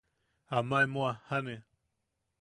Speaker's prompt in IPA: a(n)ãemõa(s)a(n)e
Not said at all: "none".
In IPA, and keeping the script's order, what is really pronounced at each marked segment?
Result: m, h, n

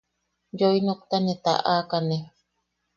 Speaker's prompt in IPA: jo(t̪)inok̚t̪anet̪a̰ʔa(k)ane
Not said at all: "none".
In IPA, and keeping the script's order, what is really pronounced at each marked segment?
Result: none, k

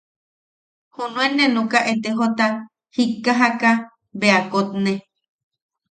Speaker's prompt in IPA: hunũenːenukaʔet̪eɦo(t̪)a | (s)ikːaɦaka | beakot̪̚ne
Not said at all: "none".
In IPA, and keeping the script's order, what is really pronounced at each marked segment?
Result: t̪, h

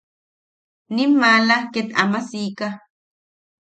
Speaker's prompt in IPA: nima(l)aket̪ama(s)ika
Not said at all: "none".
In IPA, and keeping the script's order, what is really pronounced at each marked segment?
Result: l, s

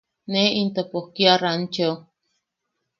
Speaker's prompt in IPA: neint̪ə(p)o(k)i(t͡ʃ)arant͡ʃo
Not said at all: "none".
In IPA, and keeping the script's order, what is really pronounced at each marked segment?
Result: p, k, none

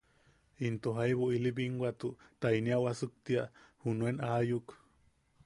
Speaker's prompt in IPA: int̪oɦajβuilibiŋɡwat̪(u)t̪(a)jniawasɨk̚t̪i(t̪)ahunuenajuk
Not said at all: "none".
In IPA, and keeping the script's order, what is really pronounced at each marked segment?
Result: u, a, none

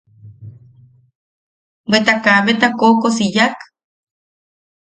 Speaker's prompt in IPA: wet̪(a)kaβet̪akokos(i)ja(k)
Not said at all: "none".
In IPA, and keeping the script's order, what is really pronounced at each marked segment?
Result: a, i, k

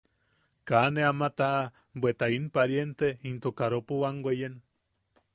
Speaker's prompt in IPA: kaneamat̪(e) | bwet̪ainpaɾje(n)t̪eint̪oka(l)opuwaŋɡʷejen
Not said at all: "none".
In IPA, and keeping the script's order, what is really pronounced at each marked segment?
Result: a, n, ɾ

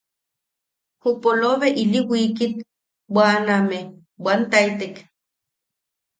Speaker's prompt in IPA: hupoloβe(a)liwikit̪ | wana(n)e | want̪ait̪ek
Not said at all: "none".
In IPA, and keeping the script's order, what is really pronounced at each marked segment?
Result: i, m

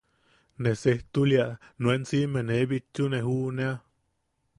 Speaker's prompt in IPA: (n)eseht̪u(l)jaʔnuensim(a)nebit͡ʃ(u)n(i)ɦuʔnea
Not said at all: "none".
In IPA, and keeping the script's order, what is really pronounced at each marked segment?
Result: n, l, e, u, e

